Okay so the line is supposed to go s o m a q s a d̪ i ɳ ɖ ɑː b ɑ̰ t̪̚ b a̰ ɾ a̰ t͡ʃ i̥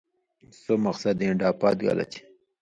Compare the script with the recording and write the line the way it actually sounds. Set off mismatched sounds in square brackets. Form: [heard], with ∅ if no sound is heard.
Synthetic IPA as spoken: s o m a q s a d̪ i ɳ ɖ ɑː [p] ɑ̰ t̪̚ [ɡ] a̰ [l] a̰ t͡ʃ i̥